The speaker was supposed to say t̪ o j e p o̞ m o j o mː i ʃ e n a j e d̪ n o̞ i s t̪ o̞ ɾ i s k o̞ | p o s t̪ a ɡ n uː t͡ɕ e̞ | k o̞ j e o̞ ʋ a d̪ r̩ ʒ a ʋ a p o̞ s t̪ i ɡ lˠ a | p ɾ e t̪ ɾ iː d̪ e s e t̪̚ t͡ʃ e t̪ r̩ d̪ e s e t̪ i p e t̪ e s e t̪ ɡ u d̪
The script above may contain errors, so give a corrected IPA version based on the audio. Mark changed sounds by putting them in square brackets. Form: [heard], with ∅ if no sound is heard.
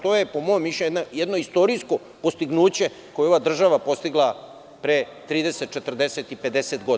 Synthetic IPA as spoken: t̪ o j e p o̞ m o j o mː i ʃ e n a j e d̪ n o̞ i s t̪ o̞ ɾ i s k o̞ | p o s t̪ [i] ɡ n uː t͡ɕ e̞ | k o̞ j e o̞ ʋ a d̪ r̩ ʒ a ʋ a p o̞ s t̪ i ɡ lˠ a | p ɾ e t̪ ɾ iː d̪ e s e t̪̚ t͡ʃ e t̪ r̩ d̪ e s e t̪ i p e [d̪] e s e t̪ ɡ [o] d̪